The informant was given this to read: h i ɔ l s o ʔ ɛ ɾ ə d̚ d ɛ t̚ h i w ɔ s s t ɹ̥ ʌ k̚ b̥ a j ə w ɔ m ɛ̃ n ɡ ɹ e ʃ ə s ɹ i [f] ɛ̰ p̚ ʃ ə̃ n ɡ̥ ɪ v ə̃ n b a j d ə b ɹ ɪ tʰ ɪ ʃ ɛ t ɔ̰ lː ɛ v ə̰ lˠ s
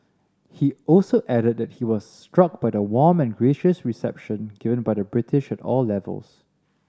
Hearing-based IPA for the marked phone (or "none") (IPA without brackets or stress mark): s